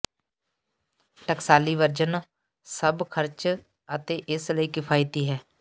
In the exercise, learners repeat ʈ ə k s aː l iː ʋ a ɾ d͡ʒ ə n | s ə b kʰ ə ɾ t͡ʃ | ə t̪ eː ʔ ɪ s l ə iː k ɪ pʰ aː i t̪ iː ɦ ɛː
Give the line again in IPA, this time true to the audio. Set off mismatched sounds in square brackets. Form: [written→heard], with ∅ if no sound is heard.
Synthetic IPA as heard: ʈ ə k s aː l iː ʋ [a→ə] ɾ d͡ʒ ə n | s ə b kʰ ə ɾ t͡ʃ | ə t̪ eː ʔ ɪ s l ə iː k ɪ pʰ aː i t̪ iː ɦ ɛː

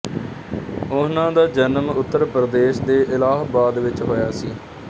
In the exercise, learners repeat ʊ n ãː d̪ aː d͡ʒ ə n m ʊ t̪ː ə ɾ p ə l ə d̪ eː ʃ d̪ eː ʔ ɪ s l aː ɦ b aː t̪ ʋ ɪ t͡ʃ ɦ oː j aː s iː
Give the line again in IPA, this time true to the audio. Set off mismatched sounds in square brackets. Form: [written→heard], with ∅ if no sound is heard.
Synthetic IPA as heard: ʊ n ãː d̪ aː d͡ʒ ə n m ʊ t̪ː ə ɾ p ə [l→ɾ] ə d̪ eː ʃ d̪ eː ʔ ɪ [s→∅] l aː ɦ b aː [t̪→d̪] ʋ ɪ t͡ʃ ɦ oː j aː s iː

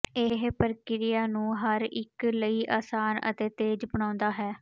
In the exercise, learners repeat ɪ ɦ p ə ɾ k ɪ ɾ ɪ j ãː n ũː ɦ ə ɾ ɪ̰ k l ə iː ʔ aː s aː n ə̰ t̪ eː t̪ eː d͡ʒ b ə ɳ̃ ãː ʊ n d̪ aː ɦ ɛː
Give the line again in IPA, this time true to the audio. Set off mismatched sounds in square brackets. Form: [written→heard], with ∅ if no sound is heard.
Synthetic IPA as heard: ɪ ɦ p ə ɾ k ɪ ɾ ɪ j [ãː→aː] n ũː ɦ ə ɾ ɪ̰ k l ə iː ʔ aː s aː n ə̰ t̪ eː t̪ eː d͡ʒ b ə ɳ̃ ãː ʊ n d̪ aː ɦ ɛː

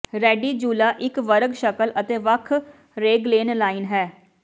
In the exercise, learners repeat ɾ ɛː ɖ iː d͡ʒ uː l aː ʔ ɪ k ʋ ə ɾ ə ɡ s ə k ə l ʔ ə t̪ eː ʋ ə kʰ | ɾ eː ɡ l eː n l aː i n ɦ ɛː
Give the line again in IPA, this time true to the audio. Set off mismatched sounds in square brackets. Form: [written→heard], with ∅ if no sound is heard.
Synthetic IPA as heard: ɾ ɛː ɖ iː d͡ʒ uː l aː ʔ ɪ k ʋ ə ɾ ə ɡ [s→ʃ] ə k ə l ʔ ə t̪ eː ʋ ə kʰ | ɾ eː ɡ l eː n l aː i n ɦ ɛː

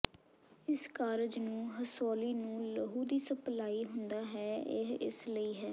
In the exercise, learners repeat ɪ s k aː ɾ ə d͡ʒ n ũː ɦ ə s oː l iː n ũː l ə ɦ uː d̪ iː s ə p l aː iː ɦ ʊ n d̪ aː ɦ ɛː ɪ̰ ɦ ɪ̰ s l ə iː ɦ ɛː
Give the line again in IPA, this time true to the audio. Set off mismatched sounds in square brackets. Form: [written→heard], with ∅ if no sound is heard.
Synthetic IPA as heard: ɪ s k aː ɾ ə d͡ʒ n ũː ɦ ə s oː l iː n ũː l ə ɦ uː d̪ iː s ə p l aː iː ɦ ʊ n d̪ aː ɦ ɛː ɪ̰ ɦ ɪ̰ s l ə iː ɦ ɛː

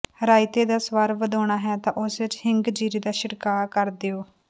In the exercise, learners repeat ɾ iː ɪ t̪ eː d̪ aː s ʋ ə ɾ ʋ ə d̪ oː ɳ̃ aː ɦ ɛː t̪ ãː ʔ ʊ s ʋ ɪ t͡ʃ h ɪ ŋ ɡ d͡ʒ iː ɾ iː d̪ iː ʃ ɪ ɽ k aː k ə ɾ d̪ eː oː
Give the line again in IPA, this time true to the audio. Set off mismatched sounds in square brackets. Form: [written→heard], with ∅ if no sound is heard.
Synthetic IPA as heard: ɾ [iː→aː] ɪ t̪ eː d̪ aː s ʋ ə ɾ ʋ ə d̪ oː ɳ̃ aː ɦ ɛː t̪ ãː ʔ ʊ s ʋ ɪ t͡ʃ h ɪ ŋ ɡ d͡ʒ iː ɾ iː d̪ [iː→aː] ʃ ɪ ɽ k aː k ə ɾ d̪ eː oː

